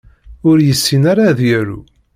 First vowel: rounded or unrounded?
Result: rounded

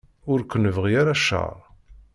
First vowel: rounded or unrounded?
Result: rounded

